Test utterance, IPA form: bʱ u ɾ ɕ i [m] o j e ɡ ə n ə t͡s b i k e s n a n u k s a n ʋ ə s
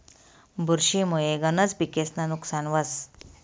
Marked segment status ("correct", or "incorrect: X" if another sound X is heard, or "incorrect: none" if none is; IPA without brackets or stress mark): correct